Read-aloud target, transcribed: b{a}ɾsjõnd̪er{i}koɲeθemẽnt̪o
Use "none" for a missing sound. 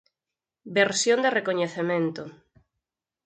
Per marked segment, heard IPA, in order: e, e

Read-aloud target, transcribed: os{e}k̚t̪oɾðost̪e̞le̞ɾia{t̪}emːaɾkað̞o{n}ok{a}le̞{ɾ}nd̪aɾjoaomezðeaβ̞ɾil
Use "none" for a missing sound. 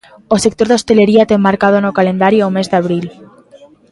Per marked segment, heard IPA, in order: e, t̪, n, a, none

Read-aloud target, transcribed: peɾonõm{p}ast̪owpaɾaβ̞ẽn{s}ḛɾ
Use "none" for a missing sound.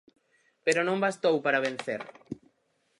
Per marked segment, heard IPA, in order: b, θ

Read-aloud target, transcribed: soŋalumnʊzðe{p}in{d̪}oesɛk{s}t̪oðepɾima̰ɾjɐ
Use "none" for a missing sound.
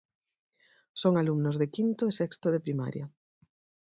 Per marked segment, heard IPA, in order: k, t̪, s

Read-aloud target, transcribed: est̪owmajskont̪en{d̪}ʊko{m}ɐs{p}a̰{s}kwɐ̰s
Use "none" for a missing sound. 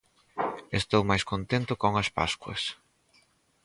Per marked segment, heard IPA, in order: t̪, ŋ, p, s

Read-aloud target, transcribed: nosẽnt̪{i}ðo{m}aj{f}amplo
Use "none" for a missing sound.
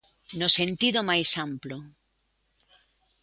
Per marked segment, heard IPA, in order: i, m, s

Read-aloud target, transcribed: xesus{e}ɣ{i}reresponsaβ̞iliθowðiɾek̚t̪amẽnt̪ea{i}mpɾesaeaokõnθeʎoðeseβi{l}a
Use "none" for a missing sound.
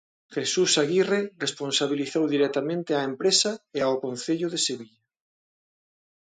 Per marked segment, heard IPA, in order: a, i, e, ʎ

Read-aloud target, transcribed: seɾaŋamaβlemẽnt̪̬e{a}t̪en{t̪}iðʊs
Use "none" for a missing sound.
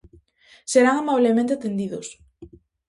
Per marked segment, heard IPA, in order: a, d̪

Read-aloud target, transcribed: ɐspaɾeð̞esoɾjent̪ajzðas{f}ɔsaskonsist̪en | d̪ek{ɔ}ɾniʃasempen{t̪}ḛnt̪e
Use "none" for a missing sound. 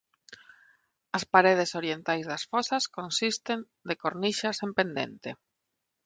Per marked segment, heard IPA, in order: f, o, d̪

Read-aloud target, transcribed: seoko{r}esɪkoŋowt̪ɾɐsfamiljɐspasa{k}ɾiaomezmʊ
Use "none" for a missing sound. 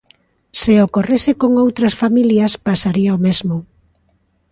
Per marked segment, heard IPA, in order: r, none

